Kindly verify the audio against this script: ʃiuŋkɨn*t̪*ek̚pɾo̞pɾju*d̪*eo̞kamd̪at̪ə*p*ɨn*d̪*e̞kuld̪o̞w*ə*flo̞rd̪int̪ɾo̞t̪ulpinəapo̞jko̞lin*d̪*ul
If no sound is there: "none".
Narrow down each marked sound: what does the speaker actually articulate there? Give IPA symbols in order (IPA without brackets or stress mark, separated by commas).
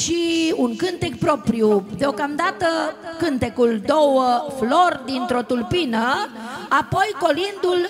t̪, d̪, k, t̪, ə, d̪